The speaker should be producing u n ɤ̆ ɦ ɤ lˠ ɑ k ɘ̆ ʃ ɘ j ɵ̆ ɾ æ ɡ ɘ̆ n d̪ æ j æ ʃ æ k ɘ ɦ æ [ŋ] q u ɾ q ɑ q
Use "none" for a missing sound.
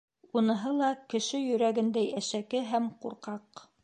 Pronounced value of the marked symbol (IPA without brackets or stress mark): m